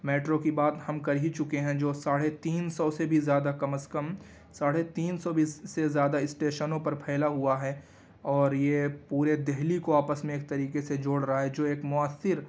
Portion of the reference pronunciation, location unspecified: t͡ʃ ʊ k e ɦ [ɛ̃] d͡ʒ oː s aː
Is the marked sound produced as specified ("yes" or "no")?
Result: yes